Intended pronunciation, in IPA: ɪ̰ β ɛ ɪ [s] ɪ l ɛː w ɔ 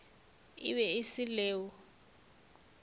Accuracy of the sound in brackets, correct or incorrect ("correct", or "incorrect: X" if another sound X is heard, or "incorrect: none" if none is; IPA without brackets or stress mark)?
correct